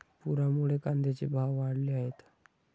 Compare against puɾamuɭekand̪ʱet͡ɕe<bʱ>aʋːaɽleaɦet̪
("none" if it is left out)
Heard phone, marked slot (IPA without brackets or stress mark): bʱ